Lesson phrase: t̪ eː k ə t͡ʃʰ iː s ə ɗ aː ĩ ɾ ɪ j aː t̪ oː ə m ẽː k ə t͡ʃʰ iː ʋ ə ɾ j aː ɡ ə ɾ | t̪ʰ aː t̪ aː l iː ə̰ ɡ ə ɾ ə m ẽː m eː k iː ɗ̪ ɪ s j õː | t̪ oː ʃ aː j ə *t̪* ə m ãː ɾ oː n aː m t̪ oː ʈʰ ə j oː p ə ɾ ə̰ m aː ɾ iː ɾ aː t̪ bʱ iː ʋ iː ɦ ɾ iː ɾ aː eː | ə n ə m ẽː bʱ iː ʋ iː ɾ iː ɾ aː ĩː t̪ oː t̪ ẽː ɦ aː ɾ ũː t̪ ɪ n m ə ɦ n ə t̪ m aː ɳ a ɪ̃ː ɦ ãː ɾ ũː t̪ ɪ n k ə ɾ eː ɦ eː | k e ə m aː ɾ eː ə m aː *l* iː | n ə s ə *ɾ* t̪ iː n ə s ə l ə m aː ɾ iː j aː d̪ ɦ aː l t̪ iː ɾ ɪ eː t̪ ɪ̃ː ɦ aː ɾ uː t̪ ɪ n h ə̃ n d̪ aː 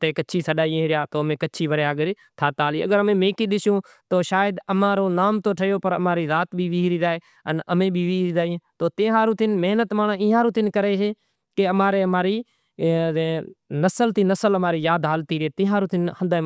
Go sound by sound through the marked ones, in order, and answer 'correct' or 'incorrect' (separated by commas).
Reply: incorrect, incorrect, incorrect